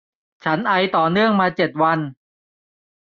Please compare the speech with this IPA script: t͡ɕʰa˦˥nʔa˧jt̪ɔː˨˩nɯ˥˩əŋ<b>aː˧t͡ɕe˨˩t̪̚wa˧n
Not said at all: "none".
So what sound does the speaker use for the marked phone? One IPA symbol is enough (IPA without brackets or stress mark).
m